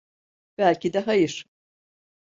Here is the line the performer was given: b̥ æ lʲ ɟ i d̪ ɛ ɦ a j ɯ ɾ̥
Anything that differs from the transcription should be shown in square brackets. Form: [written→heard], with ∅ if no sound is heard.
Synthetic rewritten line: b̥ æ lʲ [ɟ→c] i d̪ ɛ ɦ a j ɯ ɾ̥

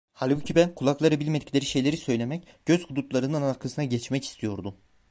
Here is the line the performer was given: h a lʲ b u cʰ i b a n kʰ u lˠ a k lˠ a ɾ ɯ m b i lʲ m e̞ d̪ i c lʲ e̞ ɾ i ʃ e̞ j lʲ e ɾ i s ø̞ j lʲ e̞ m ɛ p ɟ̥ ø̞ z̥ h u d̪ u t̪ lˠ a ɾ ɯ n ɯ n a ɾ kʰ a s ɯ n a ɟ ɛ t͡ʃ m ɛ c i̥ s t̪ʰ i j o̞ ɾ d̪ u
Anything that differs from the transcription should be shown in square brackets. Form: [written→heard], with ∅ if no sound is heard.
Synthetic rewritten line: h a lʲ b u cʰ i b [a→æ] n kʰ u lˠ a k lˠ a ɾ ɯ [m→∅] b i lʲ m e̞ d̪ i c lʲ e̞ ɾ i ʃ e̞ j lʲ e ɾ i s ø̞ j lʲ e̞ m ɛ [p→c] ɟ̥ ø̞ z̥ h u d̪ u t̪ lˠ a ɾ ɯ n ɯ n a ɾ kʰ a s ɯ n a ɟ ɛ t͡ʃ m ɛ c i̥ s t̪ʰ i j o̞ ɾ d̪ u

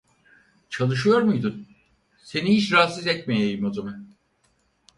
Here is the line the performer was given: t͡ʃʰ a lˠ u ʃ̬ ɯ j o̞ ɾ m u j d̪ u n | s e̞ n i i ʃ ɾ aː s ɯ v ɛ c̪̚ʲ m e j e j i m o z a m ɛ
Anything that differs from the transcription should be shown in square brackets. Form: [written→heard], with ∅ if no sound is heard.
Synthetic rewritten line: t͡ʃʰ a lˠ [u→ɯ] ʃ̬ ɯ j o̞ ɾ m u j d̪ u n | s e̞ n i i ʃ ɾ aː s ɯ [v→z] ɛ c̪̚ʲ m e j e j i m o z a m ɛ

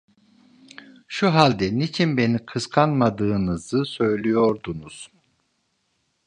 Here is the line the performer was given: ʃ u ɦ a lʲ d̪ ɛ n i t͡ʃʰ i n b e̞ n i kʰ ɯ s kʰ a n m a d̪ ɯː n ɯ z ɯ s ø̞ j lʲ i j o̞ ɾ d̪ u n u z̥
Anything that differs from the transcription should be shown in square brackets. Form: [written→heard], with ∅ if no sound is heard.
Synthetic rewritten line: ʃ u ɦ a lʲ d̪ ɛ n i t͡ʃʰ i n b e̞ n i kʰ ɯ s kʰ a n m a d̪ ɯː n ɯ z ɯ s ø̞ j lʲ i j o̞ ɾ d̪ u n u z̥

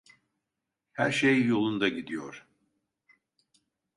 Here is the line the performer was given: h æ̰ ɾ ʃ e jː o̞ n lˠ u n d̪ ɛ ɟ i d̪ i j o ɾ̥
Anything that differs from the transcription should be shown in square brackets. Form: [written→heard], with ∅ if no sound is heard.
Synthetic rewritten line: h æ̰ ɾ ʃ e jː o̞ [n→∅] lˠ u n d̪ [ɛ→a] ɟ i d̪ i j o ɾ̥

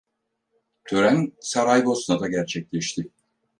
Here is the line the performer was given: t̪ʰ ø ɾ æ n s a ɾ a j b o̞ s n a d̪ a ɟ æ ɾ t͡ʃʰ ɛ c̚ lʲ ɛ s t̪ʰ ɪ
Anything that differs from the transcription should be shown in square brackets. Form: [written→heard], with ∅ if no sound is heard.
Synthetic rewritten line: t̪ʰ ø ɾ æ n s a ɾ a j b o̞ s n a d̪ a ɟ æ ɾ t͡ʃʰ ɛ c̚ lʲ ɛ [s→ʃ] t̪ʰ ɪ

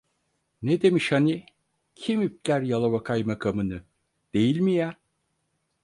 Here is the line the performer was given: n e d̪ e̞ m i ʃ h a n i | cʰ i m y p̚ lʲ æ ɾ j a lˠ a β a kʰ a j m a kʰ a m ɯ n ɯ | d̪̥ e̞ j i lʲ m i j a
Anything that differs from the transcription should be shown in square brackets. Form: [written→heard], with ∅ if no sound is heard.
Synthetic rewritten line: n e d̪ e̞ m i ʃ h a n i | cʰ i m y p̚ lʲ æ ɾ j a lˠ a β a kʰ a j m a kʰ a m ɯ n ɯ | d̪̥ e̞ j i lʲ m i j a

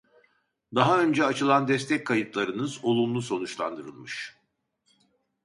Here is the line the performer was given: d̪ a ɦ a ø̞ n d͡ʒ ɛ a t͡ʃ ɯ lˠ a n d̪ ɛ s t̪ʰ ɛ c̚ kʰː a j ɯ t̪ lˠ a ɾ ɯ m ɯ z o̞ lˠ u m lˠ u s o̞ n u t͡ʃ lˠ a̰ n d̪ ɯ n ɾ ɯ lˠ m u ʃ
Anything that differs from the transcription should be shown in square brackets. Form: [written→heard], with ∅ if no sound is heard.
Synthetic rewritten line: d̪ a ɦ a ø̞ n d͡ʒ ɛ a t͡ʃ ɯ lˠ a n d̪ ɛ s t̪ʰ ɛ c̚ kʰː a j ɯ t̪ lˠ a ɾ ɯ [m→n] ɯ z o̞ lˠ u m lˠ u s o̞ n u t͡ʃ lˠ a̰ n d̪ ɯ [n→∅] ɾ ɯ lˠ m [u→ɯ] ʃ

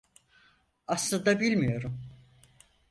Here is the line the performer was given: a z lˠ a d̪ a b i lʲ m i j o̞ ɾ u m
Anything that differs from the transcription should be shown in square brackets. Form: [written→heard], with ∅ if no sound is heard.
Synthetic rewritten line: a [z→s] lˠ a d̪ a b i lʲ m i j o̞ ɾ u m

